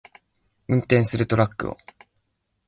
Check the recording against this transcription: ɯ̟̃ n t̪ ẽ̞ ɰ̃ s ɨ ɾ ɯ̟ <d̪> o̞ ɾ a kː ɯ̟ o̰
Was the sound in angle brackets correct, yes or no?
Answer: no